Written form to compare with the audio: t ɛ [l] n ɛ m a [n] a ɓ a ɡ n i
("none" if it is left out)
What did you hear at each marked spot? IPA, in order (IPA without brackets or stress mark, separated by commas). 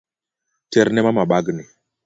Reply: ɾ, m